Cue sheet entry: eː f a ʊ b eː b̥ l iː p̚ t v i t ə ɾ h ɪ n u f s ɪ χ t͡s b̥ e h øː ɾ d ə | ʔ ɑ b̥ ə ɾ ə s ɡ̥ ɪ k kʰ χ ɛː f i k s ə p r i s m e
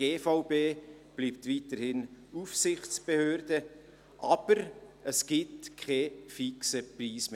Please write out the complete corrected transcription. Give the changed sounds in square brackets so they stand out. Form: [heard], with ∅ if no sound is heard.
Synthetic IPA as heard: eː f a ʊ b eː b̥ l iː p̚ t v i t ə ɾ h ɪ n u f s ɪ χ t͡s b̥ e h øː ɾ d ə | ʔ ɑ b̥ ə ɾ ə s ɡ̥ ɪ [t] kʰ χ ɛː f i k s ə p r [iː] s m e

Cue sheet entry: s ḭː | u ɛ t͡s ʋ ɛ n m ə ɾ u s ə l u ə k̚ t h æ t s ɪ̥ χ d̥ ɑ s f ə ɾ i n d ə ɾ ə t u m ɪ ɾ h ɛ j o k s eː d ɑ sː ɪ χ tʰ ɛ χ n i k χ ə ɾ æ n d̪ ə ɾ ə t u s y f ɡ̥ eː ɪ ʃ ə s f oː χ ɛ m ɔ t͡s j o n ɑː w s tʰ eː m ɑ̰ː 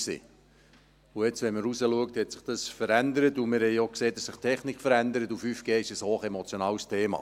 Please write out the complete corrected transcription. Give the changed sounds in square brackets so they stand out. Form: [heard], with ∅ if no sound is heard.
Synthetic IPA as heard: s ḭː | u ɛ t͡s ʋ ɛ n m ə ɾ u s ə l u ə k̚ t h [ɛ] t s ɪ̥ χ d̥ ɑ s f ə ɾ [æ] n d ə ɾ ə t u m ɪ ɾ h ɛ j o k s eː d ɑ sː ɪ χ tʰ ɛ χ n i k [f] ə ɾ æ n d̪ ə ɾ ə t u [f] y f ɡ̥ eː ɪ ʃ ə s [h] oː χ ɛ m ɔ t͡s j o n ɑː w s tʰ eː m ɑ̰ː

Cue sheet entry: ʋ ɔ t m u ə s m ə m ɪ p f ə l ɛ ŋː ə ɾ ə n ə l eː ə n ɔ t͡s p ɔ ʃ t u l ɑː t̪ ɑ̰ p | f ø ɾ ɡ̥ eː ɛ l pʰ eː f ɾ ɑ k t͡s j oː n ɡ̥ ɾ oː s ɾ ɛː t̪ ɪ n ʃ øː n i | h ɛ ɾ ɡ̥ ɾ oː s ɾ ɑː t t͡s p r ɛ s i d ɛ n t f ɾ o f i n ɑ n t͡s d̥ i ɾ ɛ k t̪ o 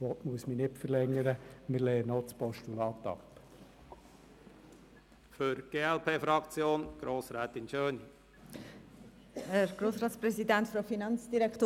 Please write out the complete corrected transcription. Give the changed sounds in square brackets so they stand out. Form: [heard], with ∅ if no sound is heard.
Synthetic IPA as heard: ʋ ɔ t m u ə s m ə [n] ɪ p f ə l ɛ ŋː ə ɾ ə [m] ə l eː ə n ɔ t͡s p ɔ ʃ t u l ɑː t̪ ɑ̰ p | f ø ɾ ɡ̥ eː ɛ l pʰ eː f ɾ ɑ k t͡s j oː n ɡ̥ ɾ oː s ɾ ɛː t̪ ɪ n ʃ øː n i | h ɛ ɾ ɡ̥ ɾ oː s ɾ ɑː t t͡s p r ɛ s i d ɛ n t f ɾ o f i n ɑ n t͡s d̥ i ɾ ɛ k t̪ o

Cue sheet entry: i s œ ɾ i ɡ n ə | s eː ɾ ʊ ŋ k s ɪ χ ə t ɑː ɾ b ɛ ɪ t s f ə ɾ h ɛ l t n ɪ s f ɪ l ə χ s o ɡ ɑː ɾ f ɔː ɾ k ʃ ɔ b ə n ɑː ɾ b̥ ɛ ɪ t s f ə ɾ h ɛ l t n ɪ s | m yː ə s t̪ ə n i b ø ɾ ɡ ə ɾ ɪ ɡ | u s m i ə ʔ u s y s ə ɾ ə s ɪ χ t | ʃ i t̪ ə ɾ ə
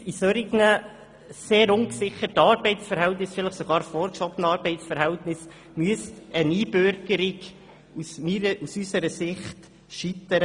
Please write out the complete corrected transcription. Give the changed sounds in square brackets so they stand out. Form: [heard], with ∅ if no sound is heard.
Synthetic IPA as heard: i s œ ɾ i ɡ n ə | s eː ɾ ʊ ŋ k s ɪ χ ə t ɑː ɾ b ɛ ɪ t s f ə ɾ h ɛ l t n ɪ s f ɪ l ə χ s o ɡ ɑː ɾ f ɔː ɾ k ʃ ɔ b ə n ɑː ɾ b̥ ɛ ɪ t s f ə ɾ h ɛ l t n ɪ s | m [y] ə s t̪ ə n [iː] b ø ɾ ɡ ə ɾ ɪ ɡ | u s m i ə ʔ u s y s ə ɾ ə s ɪ χ t | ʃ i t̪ ə ɾ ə

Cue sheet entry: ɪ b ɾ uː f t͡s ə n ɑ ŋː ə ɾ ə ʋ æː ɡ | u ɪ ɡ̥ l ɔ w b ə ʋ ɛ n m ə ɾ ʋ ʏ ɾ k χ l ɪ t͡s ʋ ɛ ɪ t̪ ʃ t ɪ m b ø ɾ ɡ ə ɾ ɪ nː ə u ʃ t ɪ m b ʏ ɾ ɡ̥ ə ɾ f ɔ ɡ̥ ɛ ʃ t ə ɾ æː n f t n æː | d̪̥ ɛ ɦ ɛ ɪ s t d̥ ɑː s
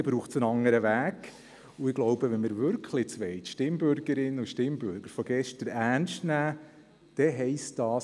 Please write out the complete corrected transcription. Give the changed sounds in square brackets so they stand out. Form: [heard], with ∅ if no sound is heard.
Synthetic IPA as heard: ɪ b ɾ uː [χ] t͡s ə n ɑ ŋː ə ɾ ə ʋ æː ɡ | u ɪ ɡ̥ l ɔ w b ə ʋ ɛ n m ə ɾ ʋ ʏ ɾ k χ l ɪ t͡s ʋ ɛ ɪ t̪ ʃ t ɪ m b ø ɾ ɡ ə ɾ ɪ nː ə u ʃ t ɪ m b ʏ ɾ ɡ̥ ə ɾ f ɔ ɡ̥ ɛ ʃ t ə ɾ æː n [ʃ] t n æː | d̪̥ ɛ ɦ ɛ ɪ s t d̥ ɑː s

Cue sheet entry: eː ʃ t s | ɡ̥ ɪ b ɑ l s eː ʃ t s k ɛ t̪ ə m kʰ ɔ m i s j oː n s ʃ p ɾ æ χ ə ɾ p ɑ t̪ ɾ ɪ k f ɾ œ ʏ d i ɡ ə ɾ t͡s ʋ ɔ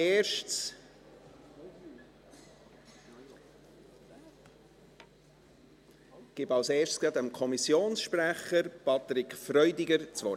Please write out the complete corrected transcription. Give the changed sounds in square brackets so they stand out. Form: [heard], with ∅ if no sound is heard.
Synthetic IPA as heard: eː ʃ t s | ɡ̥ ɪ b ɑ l s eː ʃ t s k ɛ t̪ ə m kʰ ɔ m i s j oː n s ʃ p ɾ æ χ ə ɾ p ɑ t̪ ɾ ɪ k f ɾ œ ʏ d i ɡ ə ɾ t͡s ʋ ɔ

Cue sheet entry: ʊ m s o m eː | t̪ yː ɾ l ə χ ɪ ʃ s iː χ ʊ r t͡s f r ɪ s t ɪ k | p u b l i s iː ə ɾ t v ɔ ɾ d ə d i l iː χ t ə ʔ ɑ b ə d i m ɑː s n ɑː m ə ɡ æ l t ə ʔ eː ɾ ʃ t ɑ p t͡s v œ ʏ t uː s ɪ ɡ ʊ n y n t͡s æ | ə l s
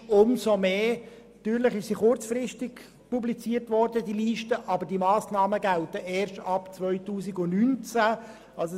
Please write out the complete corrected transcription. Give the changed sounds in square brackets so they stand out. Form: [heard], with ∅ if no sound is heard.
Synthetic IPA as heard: ʊ m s o m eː | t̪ yː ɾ l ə χ ɪ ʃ s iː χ ʊ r t͡s f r ɪ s t ɪ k | p u b l i [t͡s] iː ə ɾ t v ɔ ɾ d ə d i l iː [ʃ] t ə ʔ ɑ b ə d i m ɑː s n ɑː m ə ɡ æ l t ə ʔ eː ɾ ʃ t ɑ p t͡s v œ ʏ t uː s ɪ ɡ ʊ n y n t͡s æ | [ɑ] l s

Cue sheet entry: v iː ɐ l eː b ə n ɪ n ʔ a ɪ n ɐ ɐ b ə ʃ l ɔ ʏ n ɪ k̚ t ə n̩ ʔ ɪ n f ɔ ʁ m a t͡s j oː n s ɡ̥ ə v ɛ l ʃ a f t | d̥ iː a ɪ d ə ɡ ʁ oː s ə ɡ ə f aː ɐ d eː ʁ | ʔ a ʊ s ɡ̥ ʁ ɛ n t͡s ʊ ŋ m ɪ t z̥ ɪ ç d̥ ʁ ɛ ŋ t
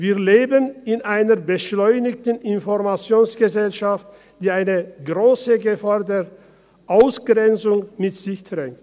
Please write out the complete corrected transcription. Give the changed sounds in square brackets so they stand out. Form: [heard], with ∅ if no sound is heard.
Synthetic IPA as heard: v iː ɐ l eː b ə n ɪ n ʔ a ɪ n ɐ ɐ b ə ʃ l ɔ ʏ n ɪ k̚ t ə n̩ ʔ ɪ n f ɔ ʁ m a t͡s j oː n s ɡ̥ ə [z] ɛ l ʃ a f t | d̥ iː a ɪ [n] ə ɡ ʁ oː s ə ɡ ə f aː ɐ d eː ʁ | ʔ a ʊ s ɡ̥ ʁ ɛ n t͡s ʊ ŋ m ɪ t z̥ ɪ ç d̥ ʁ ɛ ŋ t

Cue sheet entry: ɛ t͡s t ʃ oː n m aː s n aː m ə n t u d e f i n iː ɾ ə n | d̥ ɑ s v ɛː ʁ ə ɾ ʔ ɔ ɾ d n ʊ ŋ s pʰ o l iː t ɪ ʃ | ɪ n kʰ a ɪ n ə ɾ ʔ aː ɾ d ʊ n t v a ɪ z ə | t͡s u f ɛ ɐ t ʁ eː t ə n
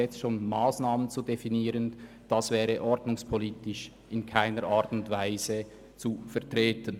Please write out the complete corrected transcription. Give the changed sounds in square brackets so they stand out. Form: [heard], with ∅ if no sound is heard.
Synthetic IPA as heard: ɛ t͡s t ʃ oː n m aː s n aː m ə n [t͡s] u d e f i n iː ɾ ə n | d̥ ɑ s v ɛː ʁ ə [∅] ʔ ɔ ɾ d n ʊ ŋ s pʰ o l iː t ɪ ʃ | ɪ n kʰ a ɪ n ə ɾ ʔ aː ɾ [t] ʊ n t v a ɪ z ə | t͡s u f ɛ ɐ t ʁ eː t ə n

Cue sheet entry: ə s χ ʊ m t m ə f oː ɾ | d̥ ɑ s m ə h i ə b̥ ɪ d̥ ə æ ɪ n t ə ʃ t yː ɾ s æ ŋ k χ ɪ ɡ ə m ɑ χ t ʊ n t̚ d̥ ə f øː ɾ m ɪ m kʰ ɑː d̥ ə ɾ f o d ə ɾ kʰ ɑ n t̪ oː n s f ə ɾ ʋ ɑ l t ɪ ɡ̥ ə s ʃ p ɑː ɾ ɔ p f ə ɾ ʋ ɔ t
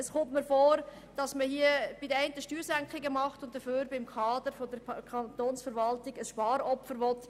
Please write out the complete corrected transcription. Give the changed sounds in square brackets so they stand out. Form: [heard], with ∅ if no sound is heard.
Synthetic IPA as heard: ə s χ ʊ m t m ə f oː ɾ | d̥ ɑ s m ə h i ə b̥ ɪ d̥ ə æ ɪ n t ə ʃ t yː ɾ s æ ŋ k χ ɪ ɡ ə m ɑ χ t ʊ n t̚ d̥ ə f øː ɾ [b] ɪ m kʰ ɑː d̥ ə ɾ f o d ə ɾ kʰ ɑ n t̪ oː n s f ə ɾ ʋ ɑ l t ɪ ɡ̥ ə s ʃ p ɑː ɾ ɔ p f ə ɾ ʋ ɔ t

